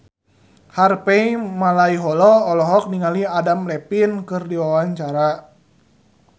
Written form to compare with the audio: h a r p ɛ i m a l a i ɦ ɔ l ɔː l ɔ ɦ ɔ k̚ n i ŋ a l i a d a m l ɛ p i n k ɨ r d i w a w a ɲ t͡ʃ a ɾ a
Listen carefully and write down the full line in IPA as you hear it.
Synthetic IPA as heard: h a r p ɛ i m a l a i ɦ ɔ l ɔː l ɔ ɦ ɔ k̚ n i ŋ a l i a d a m l ɛ p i n k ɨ r d i w a w a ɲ t͡ʃ a ɾ a